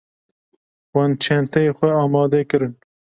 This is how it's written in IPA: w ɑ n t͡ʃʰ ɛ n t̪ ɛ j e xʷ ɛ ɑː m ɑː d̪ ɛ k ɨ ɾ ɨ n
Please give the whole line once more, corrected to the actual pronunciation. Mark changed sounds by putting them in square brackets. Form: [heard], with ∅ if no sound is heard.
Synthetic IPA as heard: w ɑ n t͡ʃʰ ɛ n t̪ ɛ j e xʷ ɛ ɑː m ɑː d̪ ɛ k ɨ ɾ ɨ n